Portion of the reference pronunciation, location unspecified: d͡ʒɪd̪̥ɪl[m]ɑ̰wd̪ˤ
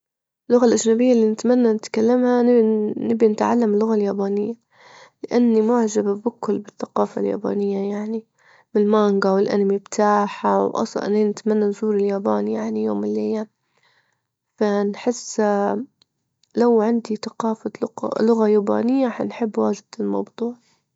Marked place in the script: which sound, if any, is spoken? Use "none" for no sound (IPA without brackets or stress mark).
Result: m